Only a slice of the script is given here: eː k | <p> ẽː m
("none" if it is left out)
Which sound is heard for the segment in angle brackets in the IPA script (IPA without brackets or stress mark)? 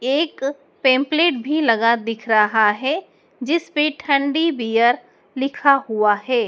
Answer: p